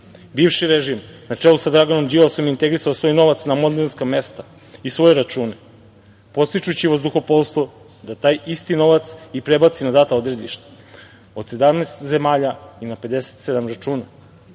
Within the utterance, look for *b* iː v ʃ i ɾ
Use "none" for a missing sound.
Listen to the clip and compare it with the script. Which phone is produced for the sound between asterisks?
b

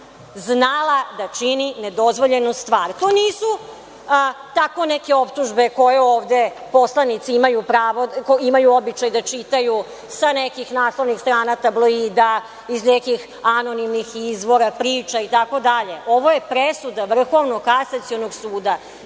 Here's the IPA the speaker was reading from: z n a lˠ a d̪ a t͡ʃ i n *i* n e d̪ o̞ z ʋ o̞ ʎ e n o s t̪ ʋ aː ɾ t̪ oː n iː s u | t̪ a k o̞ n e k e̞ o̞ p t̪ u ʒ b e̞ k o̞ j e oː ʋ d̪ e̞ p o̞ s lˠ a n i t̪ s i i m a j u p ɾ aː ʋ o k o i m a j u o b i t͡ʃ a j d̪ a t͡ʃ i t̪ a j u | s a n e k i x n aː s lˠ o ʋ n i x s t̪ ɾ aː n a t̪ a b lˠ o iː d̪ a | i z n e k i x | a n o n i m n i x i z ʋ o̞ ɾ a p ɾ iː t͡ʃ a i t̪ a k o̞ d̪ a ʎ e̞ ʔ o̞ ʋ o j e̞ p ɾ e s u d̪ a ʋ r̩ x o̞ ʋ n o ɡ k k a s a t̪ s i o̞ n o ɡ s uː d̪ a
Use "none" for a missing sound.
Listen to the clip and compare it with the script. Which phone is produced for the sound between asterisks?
i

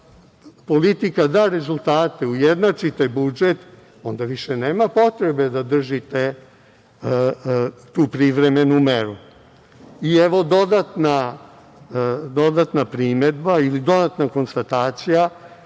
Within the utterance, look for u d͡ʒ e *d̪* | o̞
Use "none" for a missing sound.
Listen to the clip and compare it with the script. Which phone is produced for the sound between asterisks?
t̪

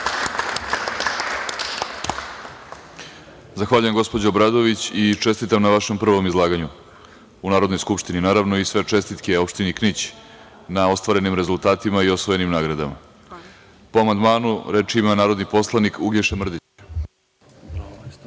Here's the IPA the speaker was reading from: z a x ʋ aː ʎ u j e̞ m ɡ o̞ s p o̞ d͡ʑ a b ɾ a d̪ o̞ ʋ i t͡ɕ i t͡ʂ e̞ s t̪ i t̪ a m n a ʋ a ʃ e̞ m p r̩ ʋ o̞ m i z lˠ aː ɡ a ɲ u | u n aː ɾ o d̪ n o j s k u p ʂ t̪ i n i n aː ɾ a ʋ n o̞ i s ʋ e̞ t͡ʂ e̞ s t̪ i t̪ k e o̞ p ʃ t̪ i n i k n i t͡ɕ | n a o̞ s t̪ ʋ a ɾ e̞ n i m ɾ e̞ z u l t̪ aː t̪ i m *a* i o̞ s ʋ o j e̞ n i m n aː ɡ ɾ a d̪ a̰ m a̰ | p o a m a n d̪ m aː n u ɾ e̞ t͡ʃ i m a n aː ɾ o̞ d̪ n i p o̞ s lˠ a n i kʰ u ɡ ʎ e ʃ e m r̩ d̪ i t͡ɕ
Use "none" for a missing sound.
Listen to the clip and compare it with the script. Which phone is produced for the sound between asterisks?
a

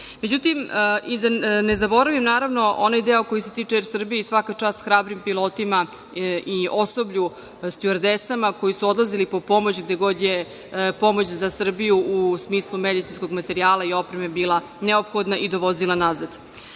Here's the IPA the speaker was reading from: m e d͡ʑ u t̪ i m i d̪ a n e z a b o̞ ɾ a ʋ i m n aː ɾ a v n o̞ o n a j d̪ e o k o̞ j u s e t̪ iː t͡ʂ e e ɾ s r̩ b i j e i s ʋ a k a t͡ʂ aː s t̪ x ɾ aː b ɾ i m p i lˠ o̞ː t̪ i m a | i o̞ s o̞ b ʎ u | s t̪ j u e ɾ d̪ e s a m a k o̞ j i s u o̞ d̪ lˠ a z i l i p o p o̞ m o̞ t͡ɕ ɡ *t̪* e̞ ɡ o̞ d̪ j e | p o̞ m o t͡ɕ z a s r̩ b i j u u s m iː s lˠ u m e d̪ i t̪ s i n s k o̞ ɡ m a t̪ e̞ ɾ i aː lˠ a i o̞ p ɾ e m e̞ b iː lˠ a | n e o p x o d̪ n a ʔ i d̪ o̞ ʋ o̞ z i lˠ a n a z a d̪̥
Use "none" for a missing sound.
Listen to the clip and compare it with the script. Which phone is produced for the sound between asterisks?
d̪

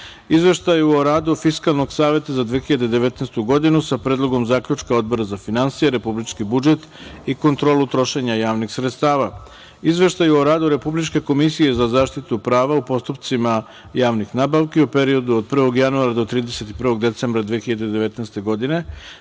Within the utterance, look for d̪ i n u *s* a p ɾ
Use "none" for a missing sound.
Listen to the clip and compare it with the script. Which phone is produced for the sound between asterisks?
s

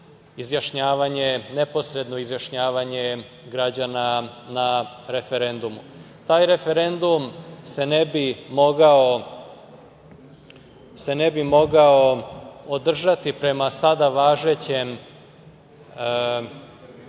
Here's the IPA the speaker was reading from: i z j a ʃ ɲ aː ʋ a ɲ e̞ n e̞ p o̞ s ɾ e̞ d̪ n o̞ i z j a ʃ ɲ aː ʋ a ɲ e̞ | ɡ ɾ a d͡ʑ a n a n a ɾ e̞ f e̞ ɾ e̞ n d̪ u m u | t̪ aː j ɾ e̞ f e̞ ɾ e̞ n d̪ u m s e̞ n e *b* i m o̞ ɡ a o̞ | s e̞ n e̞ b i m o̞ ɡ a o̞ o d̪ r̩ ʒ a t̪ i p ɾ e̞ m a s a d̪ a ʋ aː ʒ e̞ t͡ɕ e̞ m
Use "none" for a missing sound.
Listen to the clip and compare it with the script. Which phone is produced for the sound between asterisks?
b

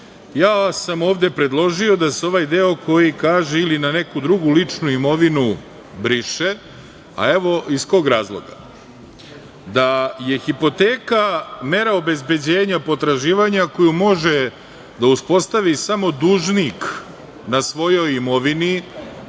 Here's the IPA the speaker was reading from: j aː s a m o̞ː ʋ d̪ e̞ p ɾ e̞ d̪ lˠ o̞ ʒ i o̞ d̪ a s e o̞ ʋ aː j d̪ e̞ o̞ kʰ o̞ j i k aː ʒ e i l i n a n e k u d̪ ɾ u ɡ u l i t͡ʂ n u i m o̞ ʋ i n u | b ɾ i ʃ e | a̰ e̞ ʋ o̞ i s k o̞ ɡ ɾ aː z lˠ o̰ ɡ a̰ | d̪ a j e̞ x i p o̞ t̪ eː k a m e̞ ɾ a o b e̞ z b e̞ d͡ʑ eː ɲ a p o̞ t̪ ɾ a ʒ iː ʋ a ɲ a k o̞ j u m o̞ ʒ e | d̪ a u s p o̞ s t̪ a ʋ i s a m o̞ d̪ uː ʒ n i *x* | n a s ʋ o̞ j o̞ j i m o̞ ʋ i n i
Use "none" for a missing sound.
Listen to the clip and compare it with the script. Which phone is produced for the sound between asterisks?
k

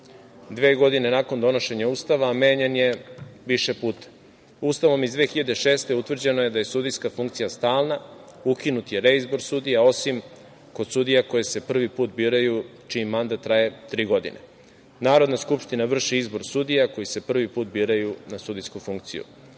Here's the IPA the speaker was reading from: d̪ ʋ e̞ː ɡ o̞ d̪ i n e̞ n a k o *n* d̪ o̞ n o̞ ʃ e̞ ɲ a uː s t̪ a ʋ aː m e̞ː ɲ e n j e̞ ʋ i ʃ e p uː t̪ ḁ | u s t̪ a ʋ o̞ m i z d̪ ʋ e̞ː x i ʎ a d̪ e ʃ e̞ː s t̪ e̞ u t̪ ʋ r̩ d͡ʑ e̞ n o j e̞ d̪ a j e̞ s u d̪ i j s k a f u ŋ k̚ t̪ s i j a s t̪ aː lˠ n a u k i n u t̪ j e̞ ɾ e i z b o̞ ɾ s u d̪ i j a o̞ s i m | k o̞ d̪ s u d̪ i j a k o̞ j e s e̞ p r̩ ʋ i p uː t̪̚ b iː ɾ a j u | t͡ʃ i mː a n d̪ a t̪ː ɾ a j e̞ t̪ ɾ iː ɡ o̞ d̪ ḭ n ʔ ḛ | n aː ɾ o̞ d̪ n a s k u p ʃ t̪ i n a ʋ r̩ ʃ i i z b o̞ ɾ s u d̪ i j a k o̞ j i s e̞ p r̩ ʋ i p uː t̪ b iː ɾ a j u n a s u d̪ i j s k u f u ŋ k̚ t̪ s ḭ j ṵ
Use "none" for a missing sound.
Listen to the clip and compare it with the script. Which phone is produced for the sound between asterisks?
n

